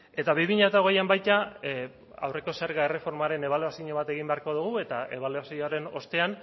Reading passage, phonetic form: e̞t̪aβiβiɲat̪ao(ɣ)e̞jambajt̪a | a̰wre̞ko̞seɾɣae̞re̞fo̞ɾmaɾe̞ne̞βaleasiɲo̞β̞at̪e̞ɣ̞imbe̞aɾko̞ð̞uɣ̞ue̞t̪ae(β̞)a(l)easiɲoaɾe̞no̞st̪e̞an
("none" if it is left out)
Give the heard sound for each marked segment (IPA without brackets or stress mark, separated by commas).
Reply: ɣ, β̞, l